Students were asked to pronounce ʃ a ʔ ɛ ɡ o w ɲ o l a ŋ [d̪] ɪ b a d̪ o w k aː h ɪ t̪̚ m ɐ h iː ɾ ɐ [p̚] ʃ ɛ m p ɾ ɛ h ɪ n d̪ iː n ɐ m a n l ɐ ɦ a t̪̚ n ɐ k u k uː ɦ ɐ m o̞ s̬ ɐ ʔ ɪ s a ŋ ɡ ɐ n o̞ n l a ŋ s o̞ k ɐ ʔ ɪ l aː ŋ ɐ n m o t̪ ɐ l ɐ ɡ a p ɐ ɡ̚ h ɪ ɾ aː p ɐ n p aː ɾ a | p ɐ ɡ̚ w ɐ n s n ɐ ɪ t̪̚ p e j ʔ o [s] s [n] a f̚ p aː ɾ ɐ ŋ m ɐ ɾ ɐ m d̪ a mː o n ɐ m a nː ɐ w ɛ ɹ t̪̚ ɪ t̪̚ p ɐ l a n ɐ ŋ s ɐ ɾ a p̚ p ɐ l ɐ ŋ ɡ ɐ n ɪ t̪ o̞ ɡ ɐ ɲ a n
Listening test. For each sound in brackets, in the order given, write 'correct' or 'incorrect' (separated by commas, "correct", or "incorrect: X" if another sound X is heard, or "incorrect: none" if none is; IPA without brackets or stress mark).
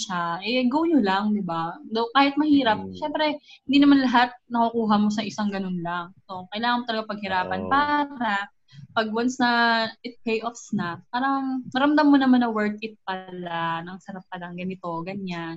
correct, correct, incorrect: f, correct